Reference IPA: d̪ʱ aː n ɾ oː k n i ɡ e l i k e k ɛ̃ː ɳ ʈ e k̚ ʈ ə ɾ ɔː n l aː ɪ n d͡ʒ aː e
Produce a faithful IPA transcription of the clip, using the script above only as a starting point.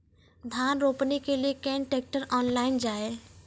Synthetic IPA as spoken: d̪ʱ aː n ɾ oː p n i k e l i e k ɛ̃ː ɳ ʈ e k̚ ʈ ə ɾ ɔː n l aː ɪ n d͡ʒ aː e